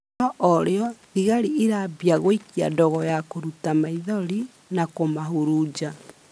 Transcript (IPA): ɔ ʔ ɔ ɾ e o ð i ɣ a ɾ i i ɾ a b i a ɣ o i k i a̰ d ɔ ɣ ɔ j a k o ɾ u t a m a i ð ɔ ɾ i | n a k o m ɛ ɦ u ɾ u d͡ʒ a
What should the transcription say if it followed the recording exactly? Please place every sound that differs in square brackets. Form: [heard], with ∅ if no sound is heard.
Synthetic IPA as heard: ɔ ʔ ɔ ɾ e [ɔ] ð i ɣ a ɾ i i ɾ a b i a ɣ o i k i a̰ d ɔ ɣ ɔ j a k o ɾ u t a m a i ð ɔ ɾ i | n a k o m [a] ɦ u ɾ u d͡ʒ a